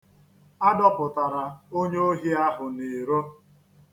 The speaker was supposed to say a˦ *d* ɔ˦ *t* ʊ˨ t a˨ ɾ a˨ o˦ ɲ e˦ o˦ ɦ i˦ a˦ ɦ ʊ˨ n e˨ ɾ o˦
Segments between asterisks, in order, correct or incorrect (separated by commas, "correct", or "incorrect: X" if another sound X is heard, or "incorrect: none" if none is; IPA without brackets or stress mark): correct, incorrect: p